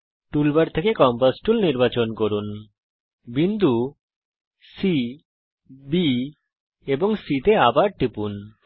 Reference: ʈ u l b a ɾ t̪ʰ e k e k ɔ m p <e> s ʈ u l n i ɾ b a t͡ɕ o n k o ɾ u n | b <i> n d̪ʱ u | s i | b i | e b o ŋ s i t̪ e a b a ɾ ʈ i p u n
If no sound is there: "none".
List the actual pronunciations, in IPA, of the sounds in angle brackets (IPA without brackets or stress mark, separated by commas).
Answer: a, i